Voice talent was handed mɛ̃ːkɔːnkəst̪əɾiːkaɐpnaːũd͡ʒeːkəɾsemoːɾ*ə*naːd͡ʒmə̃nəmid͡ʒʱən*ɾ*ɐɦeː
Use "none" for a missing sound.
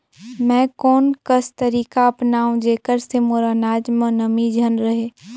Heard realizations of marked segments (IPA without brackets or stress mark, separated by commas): a, ɾ